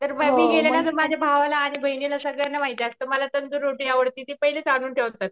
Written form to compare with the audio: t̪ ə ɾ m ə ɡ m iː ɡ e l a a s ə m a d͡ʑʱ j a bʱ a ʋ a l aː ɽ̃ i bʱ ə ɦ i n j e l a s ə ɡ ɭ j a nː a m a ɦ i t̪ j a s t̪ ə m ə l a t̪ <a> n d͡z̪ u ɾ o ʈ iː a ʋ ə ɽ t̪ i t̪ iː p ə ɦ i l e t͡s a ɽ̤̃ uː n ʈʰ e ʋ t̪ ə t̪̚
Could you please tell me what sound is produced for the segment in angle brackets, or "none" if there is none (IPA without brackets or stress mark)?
ə